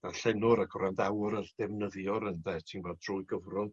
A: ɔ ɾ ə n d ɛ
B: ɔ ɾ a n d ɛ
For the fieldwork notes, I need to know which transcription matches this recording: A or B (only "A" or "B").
A